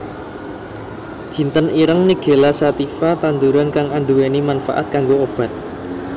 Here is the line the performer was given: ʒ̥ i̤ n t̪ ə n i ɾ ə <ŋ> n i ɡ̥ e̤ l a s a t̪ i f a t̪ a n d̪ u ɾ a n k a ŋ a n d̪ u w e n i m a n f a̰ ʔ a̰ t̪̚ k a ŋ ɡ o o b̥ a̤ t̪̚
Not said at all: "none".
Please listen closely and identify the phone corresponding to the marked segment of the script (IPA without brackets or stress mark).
ŋ